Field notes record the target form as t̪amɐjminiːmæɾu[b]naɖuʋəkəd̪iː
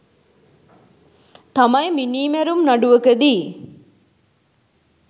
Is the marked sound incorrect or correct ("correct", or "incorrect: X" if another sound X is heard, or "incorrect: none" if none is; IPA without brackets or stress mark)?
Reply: incorrect: m